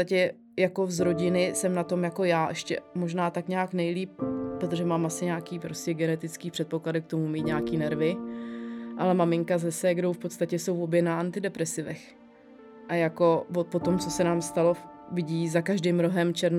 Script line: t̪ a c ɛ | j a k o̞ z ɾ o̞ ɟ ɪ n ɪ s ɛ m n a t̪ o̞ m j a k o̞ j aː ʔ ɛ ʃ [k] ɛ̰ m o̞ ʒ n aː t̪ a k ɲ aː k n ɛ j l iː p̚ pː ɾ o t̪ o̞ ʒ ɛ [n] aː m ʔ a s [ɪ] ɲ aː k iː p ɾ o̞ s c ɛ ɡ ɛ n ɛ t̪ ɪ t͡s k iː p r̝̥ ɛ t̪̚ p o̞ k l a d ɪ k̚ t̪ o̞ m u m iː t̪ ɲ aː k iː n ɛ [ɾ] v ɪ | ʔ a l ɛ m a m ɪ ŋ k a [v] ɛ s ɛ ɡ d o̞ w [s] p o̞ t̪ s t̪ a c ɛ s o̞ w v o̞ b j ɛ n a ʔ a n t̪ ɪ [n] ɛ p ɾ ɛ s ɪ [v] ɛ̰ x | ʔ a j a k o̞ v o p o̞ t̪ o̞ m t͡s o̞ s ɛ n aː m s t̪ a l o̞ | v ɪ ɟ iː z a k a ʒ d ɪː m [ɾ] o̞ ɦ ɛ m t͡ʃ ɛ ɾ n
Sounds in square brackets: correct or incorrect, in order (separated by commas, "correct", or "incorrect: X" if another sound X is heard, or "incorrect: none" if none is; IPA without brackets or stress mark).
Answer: incorrect: c, incorrect: m, correct, correct, incorrect: z, incorrect: f, incorrect: d, correct, correct